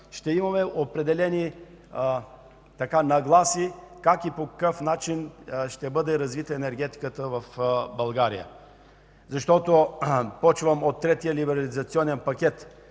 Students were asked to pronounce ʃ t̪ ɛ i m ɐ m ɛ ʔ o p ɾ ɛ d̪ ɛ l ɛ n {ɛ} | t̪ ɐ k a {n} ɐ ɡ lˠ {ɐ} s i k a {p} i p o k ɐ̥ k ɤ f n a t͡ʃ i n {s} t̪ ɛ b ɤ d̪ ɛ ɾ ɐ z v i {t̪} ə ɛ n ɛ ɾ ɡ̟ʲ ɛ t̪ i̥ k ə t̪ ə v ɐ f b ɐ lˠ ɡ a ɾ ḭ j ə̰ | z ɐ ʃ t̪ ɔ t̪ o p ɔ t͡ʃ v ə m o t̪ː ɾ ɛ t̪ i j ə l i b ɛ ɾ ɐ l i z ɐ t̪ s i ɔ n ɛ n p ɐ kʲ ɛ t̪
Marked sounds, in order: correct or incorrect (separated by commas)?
incorrect, correct, incorrect, incorrect, incorrect, correct